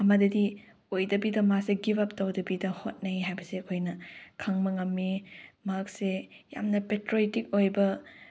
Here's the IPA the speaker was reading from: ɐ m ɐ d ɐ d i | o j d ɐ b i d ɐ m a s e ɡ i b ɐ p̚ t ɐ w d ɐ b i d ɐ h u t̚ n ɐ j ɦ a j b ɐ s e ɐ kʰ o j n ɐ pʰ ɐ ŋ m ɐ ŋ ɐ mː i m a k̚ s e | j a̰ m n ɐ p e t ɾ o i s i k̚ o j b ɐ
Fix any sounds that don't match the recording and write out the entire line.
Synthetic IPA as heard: ɐ m ɐ d ɐ d i | o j d ɐ b i d ɐ m a s e ɡ i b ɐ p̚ t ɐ w d ɐ b i d ɐ h o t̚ n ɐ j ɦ a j b ɐ s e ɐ kʰ o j n ɐ kʰ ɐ ŋ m ɐ ŋ ɐ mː i m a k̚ s e | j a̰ m n ɐ p e t ɾ o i t i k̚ o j b ɐ